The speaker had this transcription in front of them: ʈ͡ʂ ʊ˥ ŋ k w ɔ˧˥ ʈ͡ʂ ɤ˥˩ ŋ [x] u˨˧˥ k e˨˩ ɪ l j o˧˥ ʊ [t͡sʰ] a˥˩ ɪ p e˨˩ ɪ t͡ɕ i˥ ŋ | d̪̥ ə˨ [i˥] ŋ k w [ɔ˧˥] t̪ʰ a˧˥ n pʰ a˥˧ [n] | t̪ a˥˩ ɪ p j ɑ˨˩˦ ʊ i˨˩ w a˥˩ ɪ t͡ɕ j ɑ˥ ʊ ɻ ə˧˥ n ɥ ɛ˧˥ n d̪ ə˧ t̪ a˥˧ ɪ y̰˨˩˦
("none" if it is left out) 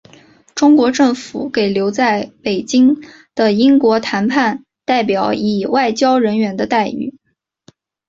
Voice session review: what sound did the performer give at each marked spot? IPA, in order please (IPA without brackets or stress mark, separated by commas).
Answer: f, t͡s, i˥, ɔ˧˥, n